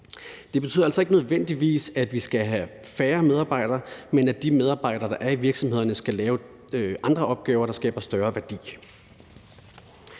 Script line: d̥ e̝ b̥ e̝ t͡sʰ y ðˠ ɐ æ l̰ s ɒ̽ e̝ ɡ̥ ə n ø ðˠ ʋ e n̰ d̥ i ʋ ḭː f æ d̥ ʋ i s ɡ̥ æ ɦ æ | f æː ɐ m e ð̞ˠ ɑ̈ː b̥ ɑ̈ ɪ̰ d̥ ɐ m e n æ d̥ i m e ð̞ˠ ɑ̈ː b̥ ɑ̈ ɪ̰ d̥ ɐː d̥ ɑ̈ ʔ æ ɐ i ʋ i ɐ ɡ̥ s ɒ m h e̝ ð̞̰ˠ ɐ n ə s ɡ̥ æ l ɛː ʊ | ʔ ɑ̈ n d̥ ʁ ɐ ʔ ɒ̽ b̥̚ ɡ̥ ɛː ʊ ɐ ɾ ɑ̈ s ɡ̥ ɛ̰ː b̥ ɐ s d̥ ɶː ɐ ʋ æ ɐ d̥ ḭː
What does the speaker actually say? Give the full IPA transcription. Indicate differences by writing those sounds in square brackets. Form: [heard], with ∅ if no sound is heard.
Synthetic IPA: d̥ e̝ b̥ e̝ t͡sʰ y ðˠ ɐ æ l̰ s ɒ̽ e̝ ɡ̥ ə n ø ðˠ ʋ e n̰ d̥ i ʋ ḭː [s] æ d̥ ʋ i s ɡ̥ æ ɦ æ | f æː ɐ m e ð̞ˠ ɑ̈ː b̥ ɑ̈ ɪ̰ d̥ ɐ m e n æ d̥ i m e ð̞ˠ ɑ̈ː b̥ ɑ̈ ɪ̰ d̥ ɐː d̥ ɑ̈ ʔ æ ɐ i ʋ i ɐ ɡ̥ s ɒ m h e̝ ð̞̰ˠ ɐ n ə s ɡ̥ æ l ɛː ʊ | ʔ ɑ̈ n d̥ ʁ ɐ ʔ ɒ̽ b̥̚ ɡ̥ ɛː ʊ ɐ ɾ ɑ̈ s ɡ̥ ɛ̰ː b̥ ɐ s d̥ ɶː ɐ ʋ æ ɐ d̥ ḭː